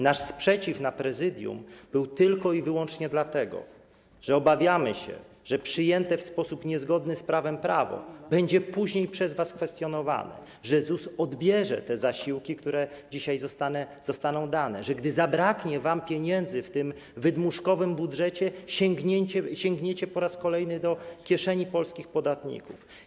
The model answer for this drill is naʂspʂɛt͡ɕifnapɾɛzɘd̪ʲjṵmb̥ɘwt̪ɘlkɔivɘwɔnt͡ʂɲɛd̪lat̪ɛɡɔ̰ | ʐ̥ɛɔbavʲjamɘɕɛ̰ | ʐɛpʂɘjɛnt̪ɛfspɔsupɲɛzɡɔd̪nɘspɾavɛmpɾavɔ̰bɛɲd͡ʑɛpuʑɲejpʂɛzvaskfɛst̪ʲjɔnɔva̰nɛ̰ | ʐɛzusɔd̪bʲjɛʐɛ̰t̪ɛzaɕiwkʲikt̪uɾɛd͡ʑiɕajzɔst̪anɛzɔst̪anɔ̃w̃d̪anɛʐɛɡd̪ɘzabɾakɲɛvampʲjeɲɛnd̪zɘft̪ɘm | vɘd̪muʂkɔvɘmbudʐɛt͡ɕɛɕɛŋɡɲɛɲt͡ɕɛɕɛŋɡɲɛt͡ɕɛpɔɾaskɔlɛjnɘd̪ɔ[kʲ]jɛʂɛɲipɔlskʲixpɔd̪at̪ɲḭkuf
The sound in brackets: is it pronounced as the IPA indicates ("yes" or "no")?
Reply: yes